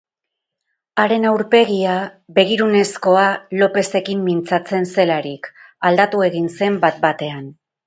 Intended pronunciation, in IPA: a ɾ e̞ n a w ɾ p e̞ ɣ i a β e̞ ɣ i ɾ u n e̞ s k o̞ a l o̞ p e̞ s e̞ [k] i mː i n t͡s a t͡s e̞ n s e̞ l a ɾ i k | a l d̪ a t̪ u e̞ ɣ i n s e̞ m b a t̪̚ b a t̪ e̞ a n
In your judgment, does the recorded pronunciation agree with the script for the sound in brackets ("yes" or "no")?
yes